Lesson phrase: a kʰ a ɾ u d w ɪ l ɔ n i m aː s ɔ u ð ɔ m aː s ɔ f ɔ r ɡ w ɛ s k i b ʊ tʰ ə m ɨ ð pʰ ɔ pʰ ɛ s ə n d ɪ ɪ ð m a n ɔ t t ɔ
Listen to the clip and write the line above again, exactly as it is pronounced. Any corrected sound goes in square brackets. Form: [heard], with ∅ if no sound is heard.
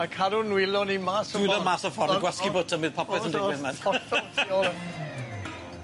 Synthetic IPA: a kʰ a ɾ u [n] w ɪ l ɔ n i m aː s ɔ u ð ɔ m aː s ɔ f ɔ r ɡ w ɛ s k i b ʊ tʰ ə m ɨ ð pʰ ɔ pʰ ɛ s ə n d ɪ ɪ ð m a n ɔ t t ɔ